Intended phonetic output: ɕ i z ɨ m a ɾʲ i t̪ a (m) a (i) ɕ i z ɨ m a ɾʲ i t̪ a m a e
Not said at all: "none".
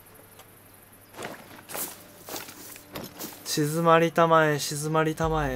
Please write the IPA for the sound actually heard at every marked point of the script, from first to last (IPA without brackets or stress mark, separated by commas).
m, e